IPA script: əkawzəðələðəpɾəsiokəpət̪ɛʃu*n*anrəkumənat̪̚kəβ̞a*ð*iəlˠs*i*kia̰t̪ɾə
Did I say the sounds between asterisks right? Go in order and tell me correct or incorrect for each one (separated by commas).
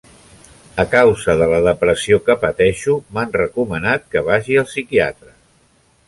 incorrect, incorrect, correct